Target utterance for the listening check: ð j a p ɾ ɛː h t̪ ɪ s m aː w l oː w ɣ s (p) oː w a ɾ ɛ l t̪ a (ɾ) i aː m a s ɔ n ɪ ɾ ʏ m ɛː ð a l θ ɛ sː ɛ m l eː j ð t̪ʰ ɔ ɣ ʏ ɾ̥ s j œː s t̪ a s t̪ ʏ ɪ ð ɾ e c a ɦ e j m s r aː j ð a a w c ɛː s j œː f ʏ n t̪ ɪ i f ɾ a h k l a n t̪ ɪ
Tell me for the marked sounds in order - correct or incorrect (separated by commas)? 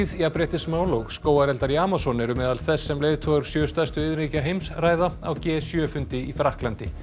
incorrect, correct